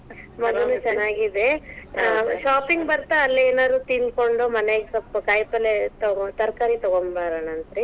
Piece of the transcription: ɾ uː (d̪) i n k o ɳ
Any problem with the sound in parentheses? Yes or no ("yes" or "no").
yes